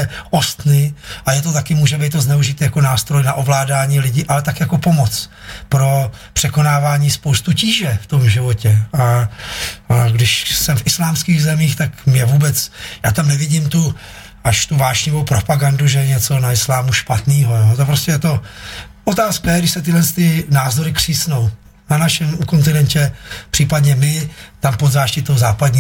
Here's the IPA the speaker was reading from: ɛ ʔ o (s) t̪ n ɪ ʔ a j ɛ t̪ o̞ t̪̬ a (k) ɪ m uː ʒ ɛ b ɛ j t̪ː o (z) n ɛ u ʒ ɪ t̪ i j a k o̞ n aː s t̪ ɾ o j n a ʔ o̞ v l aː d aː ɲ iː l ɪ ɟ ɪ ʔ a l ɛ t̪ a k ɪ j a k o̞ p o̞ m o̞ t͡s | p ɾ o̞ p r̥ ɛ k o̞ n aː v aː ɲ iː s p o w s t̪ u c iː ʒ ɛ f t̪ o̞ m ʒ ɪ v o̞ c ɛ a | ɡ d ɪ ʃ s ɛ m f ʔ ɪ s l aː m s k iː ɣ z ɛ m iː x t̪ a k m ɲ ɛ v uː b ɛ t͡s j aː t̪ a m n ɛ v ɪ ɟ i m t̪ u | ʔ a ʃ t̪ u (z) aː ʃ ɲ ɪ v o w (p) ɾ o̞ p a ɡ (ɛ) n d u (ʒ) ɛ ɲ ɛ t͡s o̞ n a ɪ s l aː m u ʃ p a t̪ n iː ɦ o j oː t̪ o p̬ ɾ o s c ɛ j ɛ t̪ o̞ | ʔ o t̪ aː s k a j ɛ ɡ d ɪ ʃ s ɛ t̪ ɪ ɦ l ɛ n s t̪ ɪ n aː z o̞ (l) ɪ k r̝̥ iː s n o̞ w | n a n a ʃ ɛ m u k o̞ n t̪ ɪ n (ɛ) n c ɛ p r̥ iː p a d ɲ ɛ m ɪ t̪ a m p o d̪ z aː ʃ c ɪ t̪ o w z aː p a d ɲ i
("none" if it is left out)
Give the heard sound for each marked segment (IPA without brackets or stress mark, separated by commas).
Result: s, k, z, v, p, a, ʒ, ɾ, ɛ